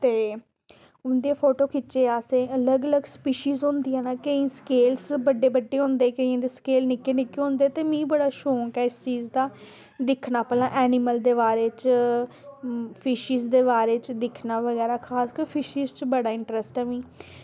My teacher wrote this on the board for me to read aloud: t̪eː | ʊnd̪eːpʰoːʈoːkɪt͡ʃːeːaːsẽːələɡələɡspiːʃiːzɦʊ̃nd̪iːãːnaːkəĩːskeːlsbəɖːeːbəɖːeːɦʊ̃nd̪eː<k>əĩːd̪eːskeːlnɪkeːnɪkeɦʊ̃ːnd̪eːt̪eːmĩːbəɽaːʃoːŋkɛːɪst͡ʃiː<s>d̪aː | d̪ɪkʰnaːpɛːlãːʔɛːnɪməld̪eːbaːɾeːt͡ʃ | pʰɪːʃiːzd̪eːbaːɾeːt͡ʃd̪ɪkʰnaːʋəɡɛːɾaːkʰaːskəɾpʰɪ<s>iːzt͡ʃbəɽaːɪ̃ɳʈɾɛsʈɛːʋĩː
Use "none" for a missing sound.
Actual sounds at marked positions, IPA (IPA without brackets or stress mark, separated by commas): k, z, ʃ